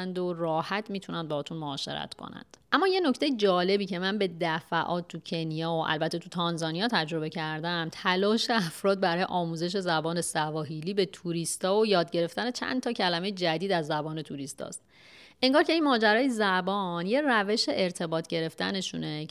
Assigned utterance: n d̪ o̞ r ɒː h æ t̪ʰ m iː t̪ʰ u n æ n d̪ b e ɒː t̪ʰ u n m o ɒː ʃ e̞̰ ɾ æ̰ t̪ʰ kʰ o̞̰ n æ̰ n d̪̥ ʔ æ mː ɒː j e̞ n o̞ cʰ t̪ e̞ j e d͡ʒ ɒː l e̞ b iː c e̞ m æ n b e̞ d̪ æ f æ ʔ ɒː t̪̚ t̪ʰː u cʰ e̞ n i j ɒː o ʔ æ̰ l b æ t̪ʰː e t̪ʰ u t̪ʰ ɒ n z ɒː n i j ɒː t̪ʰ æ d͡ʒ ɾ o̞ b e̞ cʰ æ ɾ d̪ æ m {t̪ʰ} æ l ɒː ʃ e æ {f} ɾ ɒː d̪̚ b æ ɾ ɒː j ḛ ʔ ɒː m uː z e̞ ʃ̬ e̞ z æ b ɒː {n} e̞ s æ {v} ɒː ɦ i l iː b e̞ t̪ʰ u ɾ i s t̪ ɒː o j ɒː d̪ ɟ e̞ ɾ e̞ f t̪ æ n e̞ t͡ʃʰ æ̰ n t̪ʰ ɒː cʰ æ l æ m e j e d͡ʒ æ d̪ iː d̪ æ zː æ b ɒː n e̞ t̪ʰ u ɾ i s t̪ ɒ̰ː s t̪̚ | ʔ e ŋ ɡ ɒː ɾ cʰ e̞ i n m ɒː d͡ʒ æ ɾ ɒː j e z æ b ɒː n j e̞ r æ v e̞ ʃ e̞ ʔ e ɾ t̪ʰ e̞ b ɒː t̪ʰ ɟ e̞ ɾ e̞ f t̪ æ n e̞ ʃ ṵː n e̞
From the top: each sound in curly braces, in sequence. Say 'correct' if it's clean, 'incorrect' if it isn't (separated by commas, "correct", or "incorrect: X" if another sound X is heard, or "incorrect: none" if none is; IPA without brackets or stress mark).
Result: correct, correct, correct, correct